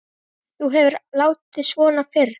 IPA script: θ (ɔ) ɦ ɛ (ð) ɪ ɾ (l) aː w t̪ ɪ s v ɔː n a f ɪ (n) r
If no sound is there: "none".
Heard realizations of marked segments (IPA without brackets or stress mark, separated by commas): u, v, l, none